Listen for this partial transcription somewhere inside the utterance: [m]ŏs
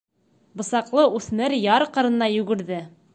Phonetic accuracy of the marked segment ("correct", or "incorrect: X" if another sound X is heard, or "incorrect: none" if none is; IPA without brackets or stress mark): incorrect: b